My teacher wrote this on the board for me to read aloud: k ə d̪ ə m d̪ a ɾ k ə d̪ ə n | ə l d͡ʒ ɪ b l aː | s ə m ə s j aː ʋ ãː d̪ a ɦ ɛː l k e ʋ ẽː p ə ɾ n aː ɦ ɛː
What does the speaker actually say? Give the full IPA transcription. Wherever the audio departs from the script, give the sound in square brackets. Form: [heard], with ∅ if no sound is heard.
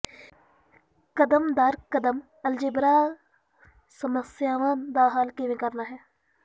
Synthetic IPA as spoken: k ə d̪ ə m d̪ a ɾ k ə d̪ ə [m] | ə l d͡ʒ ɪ b [ɾ] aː | s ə m ə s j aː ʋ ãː d̪ a ɦ [aː] l k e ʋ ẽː [k] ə ɾ n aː ɦ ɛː